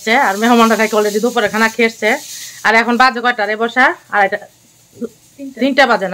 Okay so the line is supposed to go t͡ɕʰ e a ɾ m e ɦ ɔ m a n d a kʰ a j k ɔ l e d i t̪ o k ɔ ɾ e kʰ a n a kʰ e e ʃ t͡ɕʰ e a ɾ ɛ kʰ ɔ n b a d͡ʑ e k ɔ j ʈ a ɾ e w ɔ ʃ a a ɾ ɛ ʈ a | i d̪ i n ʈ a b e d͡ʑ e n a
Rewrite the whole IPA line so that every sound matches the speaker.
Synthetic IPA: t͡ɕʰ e a ɾ m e ɦ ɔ m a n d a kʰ a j k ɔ l e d i d̪ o p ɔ ɾ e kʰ a n a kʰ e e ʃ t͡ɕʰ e a ɾ ɛ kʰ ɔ n b a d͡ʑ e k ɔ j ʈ a ɾ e b ɔ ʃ a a ɾ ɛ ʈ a | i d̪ i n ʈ a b a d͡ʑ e n a